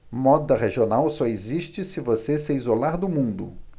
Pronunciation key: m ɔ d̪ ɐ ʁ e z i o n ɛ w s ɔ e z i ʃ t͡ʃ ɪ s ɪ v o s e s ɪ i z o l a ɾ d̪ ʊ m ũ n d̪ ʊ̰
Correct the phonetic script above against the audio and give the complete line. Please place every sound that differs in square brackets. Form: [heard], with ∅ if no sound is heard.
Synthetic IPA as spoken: m ɔ d̪ ɐ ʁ e [ʒ] i o n [a] w s ɔ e z i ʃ t͡ʃ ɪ s ɪ v o s e s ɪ i z o l a ɾ d̪ ʊ m ũ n d̪ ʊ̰